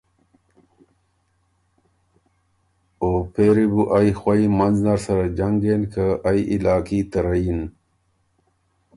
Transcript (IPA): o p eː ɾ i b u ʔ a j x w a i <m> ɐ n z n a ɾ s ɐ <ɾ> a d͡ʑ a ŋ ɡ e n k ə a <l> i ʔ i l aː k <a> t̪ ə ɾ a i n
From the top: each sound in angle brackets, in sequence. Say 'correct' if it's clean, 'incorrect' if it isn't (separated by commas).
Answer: correct, correct, incorrect, incorrect